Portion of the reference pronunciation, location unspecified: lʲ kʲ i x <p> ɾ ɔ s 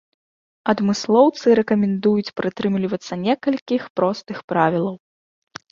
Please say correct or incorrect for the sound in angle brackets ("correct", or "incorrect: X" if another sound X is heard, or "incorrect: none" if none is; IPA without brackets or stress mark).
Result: correct